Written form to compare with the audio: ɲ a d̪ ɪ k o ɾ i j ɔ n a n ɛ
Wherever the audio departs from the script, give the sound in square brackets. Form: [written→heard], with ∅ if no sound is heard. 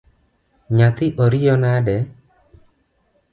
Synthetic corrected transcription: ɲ a [d̪→t̪] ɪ [k→ʔ] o ɾ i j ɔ n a [n→d] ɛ